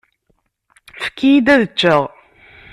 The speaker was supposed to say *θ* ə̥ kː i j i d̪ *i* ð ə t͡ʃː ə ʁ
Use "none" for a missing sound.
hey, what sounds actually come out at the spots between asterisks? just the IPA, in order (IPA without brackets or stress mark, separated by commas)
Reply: f, æ